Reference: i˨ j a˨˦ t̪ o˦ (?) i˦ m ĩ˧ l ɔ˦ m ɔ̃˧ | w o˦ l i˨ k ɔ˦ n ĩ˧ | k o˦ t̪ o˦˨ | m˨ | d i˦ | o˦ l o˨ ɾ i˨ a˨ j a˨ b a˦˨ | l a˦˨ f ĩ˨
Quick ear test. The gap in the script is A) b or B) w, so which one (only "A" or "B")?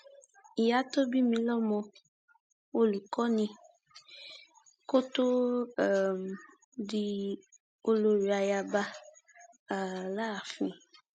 A